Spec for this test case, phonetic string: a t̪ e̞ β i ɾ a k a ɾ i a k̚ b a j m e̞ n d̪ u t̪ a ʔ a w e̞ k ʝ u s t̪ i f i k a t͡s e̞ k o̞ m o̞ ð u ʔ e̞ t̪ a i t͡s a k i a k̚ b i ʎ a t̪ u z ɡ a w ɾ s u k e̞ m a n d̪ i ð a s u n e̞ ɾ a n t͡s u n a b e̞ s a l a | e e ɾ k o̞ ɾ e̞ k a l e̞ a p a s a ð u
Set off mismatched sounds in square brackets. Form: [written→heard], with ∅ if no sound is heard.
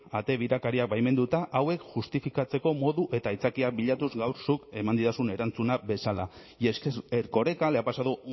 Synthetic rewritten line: a t̪ e̞ β i ɾ a k a ɾ i a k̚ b a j m e̞ n d̪ u t̪ a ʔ a w e̞ k ʝ u s t̪ i f i k a t͡s e̞ k o̞ m o̞ ð u ʔ e̞ t̪ a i t͡s a k i a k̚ b i ʎ a t̪ u z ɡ a w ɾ s u k e̞ m a n d̪ i ð a s u n e̞ ɾ a n t͡s u n a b e̞ s a l a | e e ɾ k o̞ ɾ e̞ k a l e̞ a p a s a ð u